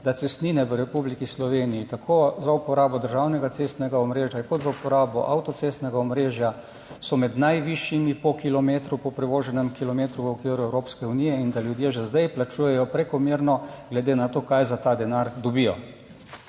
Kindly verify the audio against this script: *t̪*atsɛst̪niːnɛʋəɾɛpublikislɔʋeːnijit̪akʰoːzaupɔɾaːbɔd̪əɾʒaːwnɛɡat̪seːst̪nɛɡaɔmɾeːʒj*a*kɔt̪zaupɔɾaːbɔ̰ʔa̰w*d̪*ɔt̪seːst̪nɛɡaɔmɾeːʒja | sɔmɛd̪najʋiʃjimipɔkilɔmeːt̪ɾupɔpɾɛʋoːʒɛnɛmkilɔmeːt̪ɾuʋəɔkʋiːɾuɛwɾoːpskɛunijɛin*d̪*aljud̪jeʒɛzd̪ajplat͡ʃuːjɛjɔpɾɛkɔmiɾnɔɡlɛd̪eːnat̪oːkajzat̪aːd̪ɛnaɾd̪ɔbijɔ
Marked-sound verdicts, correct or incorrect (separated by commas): incorrect, correct, incorrect, correct